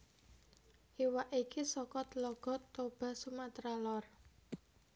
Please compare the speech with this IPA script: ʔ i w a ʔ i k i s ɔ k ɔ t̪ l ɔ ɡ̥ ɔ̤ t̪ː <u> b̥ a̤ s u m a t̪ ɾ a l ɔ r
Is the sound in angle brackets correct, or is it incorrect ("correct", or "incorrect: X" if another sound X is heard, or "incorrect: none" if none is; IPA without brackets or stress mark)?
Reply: incorrect: o